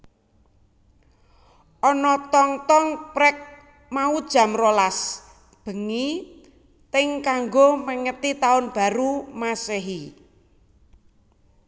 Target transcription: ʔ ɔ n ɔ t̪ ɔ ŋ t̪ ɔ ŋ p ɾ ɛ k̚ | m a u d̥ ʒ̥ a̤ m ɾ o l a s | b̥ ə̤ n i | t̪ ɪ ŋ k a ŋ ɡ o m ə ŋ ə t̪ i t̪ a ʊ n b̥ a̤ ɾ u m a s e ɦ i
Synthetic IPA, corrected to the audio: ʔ ɔ n ɔ t̪ ɔ ŋ t̪ ɔ ŋ p ɾ ɛ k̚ | m a u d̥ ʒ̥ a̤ m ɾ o l a s | b̥ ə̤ ŋ i | t̪ ɪ ŋ k a ŋ ɡ o m ə ŋ ə t̪ i t̪ a ʊ n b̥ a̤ ɾ u m a s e ɦ i